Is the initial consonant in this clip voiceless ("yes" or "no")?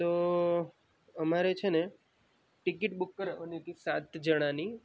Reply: yes